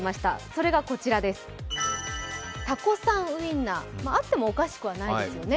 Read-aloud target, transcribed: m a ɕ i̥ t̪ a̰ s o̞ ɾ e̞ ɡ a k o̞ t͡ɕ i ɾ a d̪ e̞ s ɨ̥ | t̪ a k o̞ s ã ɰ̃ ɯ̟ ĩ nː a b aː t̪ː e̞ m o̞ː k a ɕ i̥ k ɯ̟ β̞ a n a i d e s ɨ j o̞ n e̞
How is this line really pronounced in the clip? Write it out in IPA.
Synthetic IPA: m a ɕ i̥ t̪ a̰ s o̞ ɾ e̞ ɡ a k o̞ t͡ɕ i ɾ a d̪ e̞ s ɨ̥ | t̪ a k o̞ s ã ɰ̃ ɯ̟ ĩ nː a m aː t̪ː e̞ m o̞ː k a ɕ i̥ k ɯ̟ β̞ a n a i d e s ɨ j o̞ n e̞